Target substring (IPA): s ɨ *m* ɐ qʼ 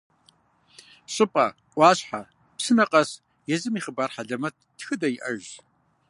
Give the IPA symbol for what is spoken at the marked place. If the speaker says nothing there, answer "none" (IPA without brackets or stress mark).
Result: n